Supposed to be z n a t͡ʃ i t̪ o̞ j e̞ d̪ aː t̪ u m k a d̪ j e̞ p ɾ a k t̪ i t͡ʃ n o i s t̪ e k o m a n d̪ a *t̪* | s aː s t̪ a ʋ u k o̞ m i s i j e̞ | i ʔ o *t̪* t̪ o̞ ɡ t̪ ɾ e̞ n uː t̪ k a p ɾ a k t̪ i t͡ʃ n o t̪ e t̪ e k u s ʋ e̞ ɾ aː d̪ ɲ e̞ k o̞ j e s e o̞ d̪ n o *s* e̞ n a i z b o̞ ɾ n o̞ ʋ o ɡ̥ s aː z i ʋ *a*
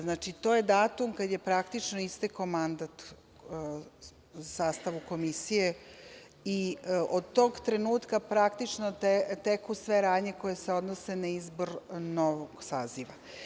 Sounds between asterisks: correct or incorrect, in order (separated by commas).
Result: correct, incorrect, correct, correct